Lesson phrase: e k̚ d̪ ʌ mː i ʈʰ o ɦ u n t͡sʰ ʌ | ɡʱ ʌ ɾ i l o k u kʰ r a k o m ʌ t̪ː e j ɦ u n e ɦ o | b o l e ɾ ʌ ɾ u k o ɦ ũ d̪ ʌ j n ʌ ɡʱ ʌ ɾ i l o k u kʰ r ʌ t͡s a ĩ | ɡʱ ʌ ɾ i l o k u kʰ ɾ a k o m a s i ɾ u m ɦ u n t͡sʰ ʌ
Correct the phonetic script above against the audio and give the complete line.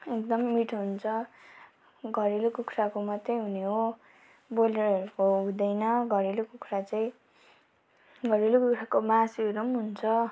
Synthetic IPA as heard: e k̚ d̪ ʌ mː i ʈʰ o ɦ u n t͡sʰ ʌ | ɡʱ ʌ ɾ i l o k u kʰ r a k o m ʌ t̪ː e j ɦ u n e ɦ o | b o l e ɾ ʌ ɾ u k o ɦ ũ d̪ ʌ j n ʌ ɡʱ ʌ ɾ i l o k u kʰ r a t͡s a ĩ | ɡʱ ʌ ɾ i l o k u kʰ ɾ a k o m a s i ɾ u m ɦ u n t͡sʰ ʌ